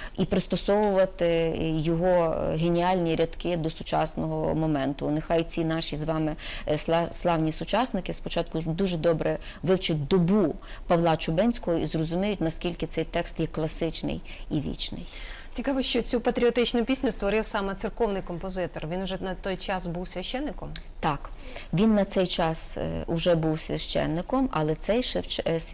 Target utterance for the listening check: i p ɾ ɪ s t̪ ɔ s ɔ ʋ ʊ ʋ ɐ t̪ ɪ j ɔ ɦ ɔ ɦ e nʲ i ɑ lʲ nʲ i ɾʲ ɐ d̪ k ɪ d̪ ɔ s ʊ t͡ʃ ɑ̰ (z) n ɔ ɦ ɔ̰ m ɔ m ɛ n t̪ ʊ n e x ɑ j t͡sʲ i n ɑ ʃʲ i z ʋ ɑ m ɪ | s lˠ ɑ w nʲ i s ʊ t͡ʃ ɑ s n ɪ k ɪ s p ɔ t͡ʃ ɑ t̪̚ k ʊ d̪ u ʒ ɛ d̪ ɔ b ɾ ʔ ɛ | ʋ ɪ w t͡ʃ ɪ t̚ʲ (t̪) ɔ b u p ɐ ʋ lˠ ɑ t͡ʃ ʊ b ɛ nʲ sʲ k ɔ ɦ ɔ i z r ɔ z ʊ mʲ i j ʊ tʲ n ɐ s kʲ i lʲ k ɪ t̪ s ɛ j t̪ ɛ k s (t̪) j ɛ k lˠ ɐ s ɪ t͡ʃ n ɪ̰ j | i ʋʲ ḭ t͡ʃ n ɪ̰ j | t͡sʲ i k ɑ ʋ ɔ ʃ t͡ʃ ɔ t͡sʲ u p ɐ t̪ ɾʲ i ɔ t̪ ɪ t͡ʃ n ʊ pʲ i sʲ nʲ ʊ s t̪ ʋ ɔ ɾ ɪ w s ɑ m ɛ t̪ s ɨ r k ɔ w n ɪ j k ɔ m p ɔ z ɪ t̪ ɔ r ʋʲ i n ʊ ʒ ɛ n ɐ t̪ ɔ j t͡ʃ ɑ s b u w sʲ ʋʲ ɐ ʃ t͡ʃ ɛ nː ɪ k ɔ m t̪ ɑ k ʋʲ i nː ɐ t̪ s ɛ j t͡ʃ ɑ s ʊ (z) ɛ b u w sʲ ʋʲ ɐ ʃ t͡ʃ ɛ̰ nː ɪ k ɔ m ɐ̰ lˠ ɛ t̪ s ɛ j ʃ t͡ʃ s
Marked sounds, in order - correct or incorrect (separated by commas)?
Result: incorrect, incorrect, correct, incorrect